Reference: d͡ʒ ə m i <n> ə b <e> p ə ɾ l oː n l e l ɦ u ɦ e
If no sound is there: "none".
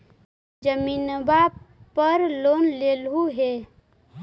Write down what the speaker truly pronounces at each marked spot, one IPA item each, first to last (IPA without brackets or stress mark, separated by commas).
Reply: n, a